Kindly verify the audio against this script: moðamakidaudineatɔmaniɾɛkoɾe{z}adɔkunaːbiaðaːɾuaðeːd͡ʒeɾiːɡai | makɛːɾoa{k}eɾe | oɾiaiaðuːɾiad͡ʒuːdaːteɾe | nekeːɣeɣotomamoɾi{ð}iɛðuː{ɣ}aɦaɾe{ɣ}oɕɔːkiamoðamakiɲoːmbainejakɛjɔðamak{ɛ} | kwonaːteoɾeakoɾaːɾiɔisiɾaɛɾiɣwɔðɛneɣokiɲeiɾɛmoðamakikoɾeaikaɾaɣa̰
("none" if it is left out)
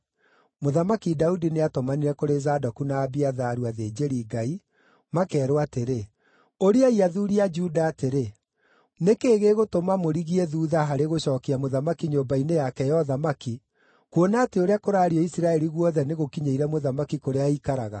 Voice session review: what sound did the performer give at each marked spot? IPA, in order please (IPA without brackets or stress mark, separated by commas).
z, t, ɣ, ð, ɣ, i